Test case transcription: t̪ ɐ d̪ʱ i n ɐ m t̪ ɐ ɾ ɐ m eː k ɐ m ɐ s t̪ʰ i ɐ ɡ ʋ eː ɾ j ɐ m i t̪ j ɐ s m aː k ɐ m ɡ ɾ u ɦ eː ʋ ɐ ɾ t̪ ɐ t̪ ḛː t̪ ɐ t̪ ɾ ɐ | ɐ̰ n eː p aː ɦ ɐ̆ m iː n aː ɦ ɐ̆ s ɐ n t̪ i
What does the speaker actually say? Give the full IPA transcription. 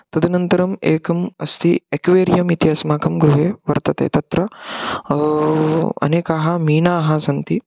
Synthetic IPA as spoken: t̪ ɐ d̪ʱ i n ɐ n t̪ ɐ ɾ ɐ m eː k ɐ m ɐ s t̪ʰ i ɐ k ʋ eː ɾ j ɐ m i t̪ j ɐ s m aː k ɐ m ɡ ɾ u ɦ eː ʋ ɐ ɾ t̪ ɐ t̪ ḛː t̪ ɐ t̪ ɾ ɐ | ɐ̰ n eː k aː ɦ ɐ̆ m iː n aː ɦ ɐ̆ s ɐ n t̪ i